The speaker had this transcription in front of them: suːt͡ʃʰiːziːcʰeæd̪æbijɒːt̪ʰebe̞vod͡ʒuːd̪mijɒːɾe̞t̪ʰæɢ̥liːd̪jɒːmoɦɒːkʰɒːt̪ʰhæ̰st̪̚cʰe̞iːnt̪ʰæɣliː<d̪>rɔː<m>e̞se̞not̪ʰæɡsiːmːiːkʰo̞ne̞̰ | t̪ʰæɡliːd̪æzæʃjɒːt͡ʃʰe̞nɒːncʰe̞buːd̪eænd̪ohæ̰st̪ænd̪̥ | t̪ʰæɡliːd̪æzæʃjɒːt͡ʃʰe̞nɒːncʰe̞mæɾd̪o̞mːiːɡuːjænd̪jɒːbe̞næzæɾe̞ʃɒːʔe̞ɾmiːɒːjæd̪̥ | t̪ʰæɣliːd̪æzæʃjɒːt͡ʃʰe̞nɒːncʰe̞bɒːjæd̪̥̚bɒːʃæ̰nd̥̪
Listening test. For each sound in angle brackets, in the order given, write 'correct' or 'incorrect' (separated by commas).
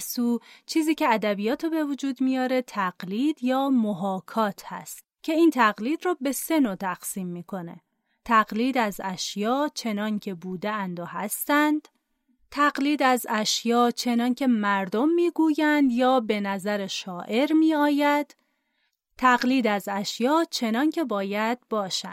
correct, incorrect